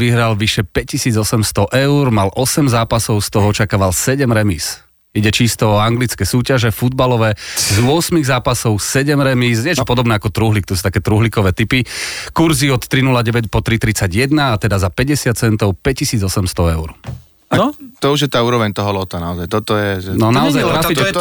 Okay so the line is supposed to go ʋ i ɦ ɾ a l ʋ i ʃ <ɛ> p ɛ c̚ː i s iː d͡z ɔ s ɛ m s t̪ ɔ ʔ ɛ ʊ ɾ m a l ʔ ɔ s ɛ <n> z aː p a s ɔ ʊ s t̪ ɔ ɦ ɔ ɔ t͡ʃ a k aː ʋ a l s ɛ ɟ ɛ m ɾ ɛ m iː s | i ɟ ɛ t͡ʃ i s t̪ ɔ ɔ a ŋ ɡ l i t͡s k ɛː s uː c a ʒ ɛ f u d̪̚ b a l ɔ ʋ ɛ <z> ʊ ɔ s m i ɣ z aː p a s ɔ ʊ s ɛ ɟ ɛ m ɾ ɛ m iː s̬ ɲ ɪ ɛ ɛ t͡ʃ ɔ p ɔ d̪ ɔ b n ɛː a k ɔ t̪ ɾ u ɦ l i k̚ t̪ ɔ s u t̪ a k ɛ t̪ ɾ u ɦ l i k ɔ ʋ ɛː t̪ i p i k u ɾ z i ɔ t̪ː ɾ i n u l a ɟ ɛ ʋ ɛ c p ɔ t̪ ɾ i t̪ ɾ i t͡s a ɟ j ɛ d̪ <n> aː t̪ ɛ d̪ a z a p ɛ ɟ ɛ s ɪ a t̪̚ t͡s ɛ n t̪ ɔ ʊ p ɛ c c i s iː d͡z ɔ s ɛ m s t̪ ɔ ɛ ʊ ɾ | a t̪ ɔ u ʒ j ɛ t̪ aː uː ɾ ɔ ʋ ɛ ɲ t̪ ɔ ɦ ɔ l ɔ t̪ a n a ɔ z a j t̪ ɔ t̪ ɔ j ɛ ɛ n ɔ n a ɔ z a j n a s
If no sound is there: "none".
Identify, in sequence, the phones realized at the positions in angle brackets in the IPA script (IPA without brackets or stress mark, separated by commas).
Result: ɛ, m, z, n